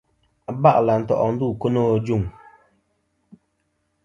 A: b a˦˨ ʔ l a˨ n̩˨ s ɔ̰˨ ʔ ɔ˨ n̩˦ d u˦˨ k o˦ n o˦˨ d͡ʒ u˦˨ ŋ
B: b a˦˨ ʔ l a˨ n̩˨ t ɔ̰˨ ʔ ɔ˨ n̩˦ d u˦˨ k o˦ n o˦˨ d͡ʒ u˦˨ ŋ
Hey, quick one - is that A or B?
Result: B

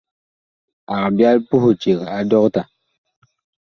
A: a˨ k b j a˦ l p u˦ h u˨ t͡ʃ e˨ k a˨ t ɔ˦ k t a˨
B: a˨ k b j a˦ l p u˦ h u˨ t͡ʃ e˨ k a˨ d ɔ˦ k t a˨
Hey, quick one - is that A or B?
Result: B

